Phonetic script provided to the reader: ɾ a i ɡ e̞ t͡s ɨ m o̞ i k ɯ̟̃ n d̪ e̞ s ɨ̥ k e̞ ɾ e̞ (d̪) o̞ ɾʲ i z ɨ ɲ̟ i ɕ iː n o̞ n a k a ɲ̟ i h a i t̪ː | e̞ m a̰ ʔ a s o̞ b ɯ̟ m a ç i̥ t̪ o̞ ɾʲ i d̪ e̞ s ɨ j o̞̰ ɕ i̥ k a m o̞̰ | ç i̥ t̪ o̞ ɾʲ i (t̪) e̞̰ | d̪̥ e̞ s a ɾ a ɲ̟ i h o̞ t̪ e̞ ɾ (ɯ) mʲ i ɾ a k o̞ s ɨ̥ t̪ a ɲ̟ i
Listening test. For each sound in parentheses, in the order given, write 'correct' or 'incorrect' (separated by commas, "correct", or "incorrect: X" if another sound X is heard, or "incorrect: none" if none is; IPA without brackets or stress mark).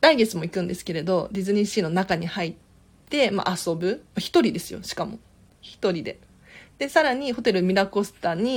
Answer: correct, incorrect: d̪, correct